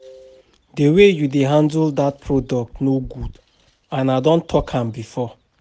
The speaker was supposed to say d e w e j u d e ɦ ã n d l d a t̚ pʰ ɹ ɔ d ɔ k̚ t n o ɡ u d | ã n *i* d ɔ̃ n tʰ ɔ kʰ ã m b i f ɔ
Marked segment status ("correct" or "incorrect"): incorrect